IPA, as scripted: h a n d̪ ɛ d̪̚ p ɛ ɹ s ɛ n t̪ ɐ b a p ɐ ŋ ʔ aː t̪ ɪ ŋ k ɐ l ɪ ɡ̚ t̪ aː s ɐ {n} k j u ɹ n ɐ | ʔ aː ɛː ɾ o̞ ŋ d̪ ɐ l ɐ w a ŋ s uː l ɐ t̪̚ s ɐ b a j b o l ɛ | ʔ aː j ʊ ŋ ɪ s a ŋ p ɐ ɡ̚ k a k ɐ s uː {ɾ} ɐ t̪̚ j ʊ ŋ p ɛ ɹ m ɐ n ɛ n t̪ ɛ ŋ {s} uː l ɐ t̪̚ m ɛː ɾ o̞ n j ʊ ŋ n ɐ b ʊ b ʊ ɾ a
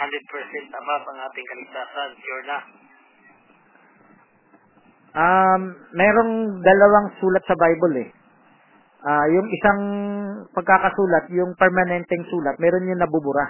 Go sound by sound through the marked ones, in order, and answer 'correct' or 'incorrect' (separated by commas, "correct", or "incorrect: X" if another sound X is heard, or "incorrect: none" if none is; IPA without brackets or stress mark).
correct, incorrect: l, correct